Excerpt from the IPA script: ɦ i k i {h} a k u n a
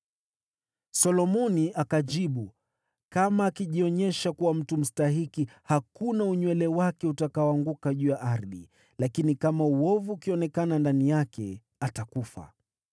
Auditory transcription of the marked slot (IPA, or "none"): h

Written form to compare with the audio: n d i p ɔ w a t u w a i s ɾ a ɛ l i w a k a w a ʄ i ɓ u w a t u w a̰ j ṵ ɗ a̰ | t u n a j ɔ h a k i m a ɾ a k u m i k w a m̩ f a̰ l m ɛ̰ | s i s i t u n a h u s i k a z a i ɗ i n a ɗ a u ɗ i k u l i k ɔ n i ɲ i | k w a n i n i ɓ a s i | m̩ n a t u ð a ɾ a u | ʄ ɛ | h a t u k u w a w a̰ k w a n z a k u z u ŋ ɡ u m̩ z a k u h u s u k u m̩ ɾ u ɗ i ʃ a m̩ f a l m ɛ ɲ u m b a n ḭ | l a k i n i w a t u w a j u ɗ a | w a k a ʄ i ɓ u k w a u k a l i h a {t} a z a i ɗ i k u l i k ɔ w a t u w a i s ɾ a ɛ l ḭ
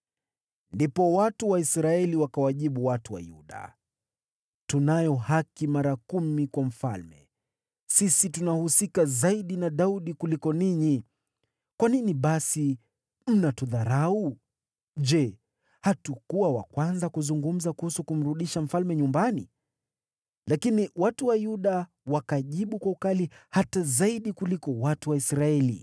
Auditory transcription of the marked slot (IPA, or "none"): t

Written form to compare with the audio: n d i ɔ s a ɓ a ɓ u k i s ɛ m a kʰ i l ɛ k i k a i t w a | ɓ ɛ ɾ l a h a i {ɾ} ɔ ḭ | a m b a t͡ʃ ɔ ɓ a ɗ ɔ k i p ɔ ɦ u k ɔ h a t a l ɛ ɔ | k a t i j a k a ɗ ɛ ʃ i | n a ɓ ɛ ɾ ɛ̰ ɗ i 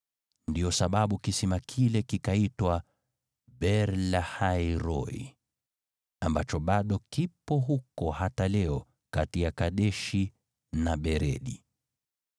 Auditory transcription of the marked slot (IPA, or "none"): ɾ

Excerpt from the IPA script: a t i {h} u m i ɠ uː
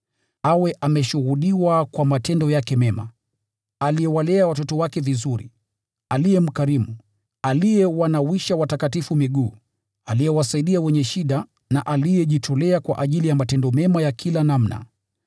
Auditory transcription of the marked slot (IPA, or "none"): f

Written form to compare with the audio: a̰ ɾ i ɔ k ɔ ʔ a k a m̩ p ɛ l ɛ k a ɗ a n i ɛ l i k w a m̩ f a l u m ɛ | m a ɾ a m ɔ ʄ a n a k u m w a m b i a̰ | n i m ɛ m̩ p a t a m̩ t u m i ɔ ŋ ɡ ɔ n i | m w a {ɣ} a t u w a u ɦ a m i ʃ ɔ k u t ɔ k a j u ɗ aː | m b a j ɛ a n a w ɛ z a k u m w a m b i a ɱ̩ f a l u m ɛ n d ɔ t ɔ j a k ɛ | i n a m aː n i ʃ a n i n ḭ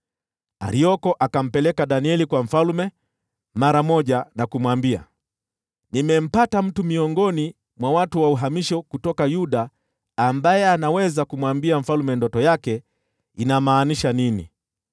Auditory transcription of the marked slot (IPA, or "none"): w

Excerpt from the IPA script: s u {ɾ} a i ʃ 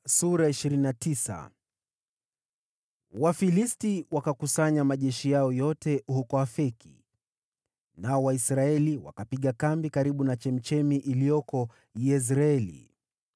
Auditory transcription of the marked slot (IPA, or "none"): ɾ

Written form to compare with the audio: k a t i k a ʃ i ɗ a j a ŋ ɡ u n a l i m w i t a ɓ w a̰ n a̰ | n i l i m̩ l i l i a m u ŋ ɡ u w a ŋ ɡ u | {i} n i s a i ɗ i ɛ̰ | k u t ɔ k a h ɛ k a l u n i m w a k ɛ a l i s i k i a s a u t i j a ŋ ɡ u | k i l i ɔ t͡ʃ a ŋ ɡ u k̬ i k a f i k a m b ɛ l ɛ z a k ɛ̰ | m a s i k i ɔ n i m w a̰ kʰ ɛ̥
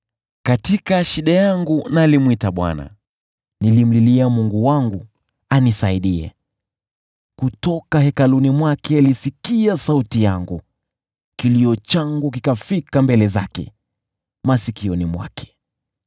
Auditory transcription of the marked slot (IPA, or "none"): a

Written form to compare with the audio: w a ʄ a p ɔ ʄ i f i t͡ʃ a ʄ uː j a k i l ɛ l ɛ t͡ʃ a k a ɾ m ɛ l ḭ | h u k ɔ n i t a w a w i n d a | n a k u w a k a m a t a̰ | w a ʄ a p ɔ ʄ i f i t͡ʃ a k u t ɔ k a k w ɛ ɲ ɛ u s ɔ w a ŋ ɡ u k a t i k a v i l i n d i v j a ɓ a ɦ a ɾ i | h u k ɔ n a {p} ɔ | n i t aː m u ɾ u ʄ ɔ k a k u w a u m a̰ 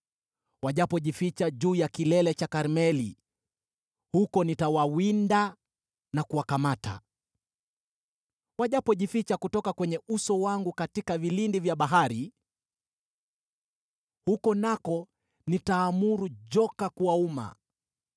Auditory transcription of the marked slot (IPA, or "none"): k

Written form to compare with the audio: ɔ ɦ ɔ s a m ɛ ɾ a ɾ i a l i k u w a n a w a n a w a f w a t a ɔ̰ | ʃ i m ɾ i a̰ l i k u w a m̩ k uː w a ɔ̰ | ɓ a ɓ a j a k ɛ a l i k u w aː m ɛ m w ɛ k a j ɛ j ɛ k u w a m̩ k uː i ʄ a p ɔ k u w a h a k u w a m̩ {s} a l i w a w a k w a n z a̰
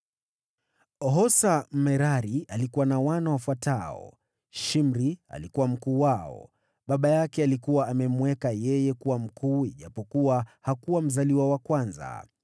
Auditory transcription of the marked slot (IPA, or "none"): z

